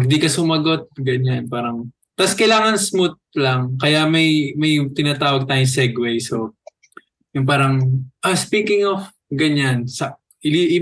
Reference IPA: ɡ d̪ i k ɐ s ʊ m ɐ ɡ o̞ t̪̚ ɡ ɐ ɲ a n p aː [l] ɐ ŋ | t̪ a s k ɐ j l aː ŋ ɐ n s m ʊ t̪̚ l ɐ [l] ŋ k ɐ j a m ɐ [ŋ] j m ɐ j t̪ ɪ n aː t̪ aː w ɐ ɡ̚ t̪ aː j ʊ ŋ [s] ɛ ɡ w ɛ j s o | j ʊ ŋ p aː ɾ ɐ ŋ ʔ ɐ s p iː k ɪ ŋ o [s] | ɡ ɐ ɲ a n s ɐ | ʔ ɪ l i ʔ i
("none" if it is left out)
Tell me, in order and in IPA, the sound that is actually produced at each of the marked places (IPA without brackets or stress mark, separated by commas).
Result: ɾ, none, none, s, f